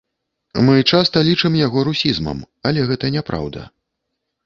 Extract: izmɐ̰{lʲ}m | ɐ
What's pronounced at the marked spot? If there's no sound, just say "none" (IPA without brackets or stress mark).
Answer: none